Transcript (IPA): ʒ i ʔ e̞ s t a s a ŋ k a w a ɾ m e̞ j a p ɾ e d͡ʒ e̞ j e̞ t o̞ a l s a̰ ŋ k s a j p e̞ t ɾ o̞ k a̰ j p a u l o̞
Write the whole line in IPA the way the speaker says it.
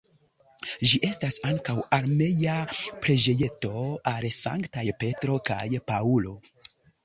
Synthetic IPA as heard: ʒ i ʔ e̞ s t a s a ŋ k a w a ɾ m e̞ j a p ɾ e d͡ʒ e̞ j e̞ t o̞ a l s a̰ ŋ k t a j p e̞ t ɾ o̞ k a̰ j p a u l o̞